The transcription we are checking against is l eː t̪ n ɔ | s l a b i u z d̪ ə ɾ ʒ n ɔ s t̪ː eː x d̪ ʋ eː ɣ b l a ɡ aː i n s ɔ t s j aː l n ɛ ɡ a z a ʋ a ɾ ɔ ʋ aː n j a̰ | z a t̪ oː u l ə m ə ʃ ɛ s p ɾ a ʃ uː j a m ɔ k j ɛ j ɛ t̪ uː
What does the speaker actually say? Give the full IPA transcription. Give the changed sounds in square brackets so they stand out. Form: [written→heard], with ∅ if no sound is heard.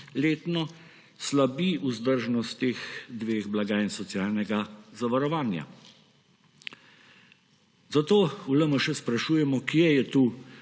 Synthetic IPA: l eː t̪ n ɔ | s l a b i u z d̪ ə ɾ ʒ n ɔ s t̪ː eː x d̪ ʋ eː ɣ b l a ɡ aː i n s ɔ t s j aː l n ɛ ɡ a z a ʋ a ɾ ɔ ʋ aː n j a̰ | z a t̪ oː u l ə m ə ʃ ɛ s p ɾ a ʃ uː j [a→ɛ] m ɔ k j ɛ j ɛ t̪ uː